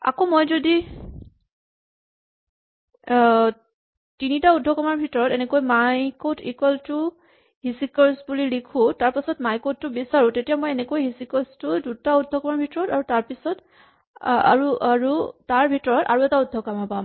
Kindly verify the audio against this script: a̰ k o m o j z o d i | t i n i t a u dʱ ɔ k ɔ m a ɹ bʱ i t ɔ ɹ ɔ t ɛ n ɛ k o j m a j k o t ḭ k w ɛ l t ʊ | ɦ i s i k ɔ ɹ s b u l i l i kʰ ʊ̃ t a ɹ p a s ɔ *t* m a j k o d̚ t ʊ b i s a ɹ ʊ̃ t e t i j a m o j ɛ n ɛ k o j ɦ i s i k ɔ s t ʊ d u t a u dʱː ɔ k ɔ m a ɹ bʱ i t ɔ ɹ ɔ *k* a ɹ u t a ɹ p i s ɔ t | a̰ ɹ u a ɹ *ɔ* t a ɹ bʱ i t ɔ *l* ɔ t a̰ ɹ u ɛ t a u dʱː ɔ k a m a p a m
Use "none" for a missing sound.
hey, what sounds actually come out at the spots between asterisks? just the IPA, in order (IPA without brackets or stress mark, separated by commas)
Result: t, t, u, ɹ